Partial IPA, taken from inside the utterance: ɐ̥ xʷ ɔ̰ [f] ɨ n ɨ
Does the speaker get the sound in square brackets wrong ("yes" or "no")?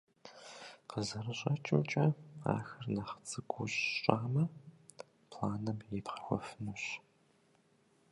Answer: no